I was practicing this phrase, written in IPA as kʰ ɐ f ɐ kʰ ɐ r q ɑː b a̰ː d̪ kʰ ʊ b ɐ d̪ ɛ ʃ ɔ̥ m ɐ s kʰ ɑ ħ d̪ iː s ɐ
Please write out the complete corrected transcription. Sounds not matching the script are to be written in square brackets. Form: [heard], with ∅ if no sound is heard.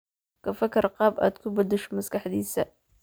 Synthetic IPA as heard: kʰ ɐ f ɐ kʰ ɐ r q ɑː b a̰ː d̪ kʰ ʊ b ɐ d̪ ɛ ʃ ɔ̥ m ɐ s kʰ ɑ ħ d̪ iː s ɐ